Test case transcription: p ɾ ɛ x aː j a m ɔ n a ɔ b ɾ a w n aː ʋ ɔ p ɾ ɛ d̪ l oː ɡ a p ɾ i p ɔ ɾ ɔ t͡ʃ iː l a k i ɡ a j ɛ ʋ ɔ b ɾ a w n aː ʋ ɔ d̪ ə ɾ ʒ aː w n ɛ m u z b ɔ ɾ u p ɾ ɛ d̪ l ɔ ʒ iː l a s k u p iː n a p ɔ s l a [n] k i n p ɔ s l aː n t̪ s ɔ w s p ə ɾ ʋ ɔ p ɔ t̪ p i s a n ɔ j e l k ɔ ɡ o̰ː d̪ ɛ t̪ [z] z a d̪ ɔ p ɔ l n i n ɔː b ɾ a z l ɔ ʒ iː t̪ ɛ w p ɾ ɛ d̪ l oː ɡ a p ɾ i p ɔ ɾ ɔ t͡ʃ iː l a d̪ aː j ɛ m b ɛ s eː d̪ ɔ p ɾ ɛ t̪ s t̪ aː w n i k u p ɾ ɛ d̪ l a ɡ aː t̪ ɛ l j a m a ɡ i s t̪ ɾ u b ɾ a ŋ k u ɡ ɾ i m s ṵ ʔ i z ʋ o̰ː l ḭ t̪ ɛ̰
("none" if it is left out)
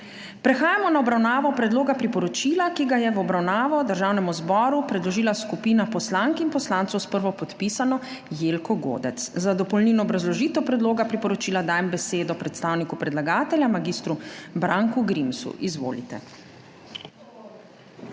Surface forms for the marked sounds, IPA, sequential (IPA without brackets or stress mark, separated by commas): ŋ, s